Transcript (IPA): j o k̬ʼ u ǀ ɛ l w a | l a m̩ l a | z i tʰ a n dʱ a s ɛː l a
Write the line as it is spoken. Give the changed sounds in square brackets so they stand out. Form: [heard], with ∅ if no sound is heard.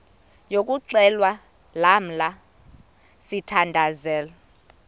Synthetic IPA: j o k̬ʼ u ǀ ɛ l w a | l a m̩ l a | [s] i tʰ a n dʱ a [z] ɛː l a